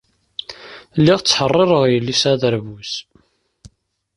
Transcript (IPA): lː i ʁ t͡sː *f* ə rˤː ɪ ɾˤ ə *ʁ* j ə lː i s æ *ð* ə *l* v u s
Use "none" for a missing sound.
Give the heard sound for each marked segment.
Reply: ħ, ʁ, ð, ɾ

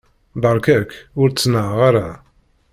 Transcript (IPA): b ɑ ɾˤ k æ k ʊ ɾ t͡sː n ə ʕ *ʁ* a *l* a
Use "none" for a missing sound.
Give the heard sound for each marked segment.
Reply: ʁ, ɾ

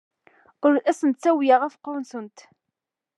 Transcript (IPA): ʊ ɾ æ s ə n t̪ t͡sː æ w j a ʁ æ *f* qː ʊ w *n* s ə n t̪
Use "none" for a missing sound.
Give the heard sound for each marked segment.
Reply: f, n

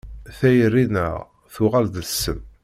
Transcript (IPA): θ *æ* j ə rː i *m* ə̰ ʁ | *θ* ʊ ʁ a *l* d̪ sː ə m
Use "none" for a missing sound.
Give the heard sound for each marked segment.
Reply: æ, n, θ, l

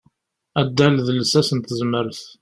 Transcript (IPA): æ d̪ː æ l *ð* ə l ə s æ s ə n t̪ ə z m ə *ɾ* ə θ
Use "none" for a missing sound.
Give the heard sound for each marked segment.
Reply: ð, ɾ

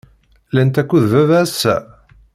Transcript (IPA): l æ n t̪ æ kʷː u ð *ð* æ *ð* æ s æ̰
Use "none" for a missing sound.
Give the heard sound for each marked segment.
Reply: v, v

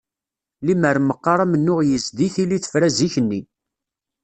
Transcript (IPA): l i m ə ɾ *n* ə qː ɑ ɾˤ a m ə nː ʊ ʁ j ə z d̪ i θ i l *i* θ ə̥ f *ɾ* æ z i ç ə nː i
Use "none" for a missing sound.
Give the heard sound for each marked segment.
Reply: m, i, ɾ

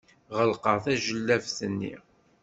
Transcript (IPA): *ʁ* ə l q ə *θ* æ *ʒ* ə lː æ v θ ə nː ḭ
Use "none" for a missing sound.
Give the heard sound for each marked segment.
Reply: ʁ, θ, ʒ

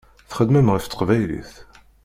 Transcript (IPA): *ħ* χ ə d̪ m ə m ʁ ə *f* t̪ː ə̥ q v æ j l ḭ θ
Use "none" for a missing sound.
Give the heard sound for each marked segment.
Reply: θ, f

